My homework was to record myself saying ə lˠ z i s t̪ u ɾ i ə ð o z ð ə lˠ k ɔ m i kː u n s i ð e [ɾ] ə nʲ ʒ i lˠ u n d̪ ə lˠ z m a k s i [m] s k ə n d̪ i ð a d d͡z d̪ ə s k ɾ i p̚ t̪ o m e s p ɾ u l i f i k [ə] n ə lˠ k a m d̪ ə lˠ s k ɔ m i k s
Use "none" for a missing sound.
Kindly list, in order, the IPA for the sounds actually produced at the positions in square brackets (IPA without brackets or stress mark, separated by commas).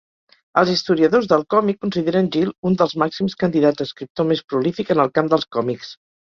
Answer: ɾ, m, ə